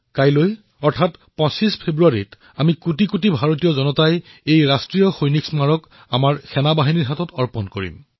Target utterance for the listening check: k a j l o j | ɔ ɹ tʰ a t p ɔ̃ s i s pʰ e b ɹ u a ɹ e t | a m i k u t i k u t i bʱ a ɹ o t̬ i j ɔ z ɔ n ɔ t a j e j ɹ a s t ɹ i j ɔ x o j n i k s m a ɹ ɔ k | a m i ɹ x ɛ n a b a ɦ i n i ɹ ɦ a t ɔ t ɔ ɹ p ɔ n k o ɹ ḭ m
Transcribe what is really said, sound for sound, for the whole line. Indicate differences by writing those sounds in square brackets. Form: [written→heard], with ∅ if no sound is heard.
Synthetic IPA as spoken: k a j l o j | ɔ ɹ tʰ a t p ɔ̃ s i s pʰ e b ɹ u a ɹ [e→i] t | a m i k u t i k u t i bʱ a ɹ o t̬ i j ɔ z ɔ n ɔ t a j e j ɹ a s t ɹ i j ɔ x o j n i k s m a ɹ ɔ k | a m [i→a] ɹ x ɛ n a b a ɦ i n i ɹ ɦ a t ɔ t ɔ ɹ p ɔ n k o ɹ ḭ m